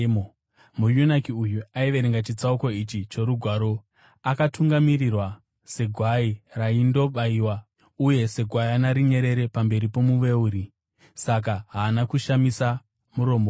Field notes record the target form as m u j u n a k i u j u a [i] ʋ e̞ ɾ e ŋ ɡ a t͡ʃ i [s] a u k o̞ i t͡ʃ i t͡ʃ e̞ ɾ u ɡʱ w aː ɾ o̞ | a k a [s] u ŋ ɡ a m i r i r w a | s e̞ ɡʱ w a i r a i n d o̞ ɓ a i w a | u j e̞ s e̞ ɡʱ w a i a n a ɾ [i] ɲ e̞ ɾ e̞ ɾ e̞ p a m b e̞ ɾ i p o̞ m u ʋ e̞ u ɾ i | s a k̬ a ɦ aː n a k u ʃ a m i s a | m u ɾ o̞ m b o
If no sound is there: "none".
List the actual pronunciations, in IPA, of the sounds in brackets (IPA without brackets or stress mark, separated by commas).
i, t͡s, t, i